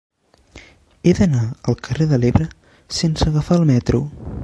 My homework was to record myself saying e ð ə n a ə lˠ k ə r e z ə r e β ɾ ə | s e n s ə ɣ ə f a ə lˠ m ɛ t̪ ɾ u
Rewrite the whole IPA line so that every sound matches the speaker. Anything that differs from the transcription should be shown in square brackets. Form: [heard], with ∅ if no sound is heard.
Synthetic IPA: e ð ə n a ə lˠ k ə r e [ð] ə [l] e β ɾ ə | s e n s ə ɣ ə f a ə lˠ m ɛ t̪ ɾ u